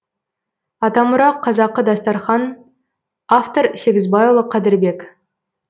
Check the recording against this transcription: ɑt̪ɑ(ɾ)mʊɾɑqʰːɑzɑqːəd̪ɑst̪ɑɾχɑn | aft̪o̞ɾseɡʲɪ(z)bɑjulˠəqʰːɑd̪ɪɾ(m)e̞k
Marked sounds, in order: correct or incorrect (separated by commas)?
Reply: incorrect, correct, incorrect